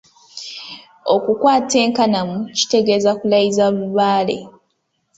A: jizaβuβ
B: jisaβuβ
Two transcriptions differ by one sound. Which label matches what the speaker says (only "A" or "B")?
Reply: A